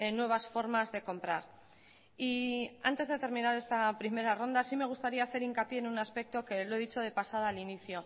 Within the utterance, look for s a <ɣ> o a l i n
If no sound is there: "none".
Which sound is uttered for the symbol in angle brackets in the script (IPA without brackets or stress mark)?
ð